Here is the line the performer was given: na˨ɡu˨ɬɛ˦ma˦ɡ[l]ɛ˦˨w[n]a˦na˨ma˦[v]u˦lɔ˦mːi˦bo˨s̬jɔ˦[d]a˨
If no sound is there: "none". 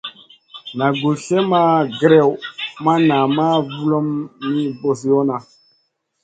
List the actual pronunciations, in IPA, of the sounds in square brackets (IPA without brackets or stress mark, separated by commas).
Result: ɾ, m, v, n